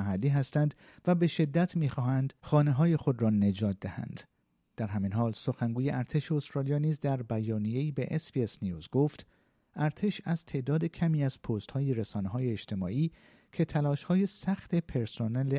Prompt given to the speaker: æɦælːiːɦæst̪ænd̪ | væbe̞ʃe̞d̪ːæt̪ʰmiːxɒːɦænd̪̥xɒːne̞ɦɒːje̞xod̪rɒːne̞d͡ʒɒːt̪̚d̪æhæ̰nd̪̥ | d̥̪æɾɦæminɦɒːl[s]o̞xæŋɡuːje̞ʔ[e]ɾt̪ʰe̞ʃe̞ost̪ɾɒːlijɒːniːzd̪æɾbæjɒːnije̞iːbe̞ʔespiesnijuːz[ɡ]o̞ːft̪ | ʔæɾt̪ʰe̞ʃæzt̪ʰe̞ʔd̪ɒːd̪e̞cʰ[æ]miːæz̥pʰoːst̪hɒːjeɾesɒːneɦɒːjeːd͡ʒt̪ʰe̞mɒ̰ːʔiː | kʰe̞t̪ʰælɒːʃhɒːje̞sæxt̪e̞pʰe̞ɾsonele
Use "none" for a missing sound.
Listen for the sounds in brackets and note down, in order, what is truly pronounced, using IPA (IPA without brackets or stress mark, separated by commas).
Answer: s, æ, ɡ, æ